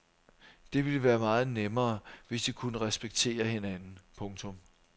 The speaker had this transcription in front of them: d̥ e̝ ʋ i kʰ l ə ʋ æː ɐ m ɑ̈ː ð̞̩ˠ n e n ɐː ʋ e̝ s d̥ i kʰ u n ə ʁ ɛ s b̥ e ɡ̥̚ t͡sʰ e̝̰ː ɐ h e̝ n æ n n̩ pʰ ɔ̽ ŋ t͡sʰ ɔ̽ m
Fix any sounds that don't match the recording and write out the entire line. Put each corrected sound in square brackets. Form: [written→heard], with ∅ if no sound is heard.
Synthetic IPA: d̥ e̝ ʋ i [kʰ→∅] l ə ʋ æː ɐ m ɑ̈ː ð̞̩ˠ n e [n→m] ɐː ʋ e̝ s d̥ i kʰ u n ə ʁ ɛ s b̥ e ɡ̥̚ t͡sʰ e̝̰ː ɐ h e̝ n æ n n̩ pʰ ɔ̽ ŋ t͡sʰ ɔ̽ m